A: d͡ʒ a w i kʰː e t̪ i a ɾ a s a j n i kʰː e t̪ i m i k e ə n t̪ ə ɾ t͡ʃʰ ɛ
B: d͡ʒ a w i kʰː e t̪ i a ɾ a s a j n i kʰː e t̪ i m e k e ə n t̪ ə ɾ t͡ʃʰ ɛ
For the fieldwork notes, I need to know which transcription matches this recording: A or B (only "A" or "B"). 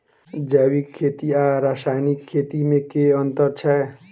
B